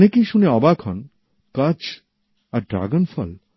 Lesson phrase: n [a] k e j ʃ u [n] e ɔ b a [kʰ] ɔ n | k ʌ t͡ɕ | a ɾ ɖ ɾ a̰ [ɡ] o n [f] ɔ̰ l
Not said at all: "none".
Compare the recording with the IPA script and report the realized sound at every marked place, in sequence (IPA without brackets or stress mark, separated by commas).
e, n, kʰ, ɡ, f